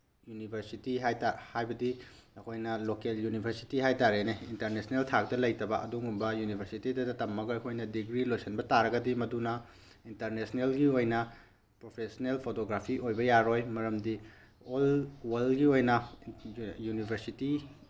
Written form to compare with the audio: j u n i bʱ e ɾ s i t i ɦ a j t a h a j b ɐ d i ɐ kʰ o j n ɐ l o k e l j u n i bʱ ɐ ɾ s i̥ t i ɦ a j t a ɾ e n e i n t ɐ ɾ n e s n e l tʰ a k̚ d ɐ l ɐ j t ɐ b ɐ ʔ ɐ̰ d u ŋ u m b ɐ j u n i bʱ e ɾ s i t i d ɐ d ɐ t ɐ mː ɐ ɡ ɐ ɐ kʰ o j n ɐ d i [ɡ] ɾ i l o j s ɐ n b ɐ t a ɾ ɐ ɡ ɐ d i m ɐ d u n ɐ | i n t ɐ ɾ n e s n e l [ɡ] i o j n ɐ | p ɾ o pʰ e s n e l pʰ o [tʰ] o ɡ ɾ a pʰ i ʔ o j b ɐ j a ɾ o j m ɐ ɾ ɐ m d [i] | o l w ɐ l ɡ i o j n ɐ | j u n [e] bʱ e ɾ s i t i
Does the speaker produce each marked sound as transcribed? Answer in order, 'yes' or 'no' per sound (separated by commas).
yes, yes, no, yes, no